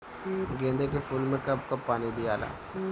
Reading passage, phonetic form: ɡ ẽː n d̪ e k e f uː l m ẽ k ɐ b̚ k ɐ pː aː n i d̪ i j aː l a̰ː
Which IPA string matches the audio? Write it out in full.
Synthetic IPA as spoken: ɡ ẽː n d̪ e k e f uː l m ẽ k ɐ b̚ k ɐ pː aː n i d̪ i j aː l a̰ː